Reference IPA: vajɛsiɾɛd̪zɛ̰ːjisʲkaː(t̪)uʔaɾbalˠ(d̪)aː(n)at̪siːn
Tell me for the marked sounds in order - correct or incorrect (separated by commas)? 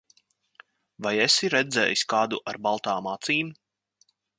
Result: incorrect, incorrect, incorrect